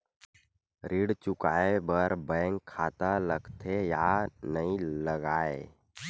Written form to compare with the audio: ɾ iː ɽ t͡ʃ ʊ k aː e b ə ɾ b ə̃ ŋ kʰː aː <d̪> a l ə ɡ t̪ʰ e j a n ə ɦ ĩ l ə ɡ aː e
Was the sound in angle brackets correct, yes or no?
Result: no